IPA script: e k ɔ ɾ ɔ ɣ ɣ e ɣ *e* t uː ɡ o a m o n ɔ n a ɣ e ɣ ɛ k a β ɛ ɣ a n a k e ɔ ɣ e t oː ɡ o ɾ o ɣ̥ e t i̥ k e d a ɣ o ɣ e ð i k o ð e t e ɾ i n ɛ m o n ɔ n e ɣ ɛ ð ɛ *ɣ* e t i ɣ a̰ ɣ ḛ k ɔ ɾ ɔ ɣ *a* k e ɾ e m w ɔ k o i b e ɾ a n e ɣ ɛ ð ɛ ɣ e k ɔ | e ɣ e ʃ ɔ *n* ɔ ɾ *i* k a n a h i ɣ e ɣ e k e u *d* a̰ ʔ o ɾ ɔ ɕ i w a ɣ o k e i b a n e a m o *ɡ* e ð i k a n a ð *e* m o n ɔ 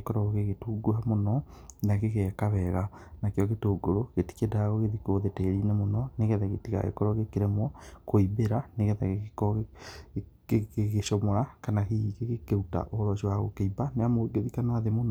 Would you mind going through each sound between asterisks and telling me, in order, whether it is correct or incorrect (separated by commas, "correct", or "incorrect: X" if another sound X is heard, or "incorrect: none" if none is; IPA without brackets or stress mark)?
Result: correct, correct, incorrect: e, incorrect: m, incorrect: a, incorrect: t, correct, correct